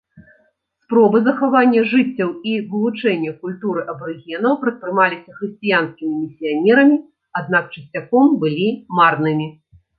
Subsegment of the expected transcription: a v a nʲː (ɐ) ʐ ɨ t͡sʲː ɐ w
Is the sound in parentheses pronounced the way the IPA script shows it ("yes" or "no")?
yes